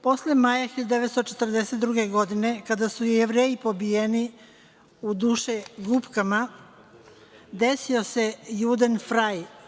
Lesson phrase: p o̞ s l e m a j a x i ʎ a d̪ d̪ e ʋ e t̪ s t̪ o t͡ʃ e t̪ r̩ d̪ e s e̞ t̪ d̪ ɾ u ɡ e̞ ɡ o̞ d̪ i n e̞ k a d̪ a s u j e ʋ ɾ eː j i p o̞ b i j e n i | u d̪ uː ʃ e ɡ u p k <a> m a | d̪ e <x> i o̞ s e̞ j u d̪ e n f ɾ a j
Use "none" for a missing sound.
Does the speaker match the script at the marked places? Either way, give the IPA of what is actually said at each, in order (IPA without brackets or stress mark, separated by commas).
a, s